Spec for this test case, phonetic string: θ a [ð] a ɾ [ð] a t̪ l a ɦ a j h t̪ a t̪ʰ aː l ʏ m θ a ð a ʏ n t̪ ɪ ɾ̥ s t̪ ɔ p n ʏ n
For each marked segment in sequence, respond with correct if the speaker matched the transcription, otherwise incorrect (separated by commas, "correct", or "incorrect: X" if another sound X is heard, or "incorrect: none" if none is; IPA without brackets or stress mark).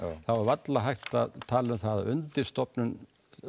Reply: incorrect: v, incorrect: v